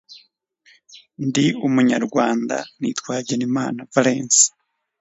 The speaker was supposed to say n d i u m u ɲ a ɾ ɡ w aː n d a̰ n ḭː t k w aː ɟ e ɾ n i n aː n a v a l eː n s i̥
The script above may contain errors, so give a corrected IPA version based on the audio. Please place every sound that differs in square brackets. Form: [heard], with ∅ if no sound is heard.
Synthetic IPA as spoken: n d i u m u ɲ a ɾ ɡ w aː n d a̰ n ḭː t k w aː ɟ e [∅] n i [m] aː n a v a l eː n s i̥